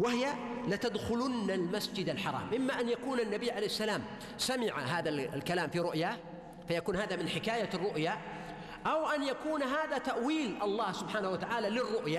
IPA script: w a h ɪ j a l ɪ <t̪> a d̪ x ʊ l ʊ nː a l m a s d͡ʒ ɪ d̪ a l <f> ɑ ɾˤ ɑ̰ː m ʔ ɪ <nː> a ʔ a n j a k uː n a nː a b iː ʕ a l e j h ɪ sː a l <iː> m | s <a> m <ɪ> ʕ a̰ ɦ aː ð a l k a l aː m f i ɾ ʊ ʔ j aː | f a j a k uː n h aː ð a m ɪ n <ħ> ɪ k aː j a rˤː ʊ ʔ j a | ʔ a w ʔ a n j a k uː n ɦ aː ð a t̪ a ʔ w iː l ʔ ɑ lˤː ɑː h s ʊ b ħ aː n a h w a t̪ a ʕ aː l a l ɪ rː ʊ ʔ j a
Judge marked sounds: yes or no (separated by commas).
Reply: yes, no, no, no, yes, yes, yes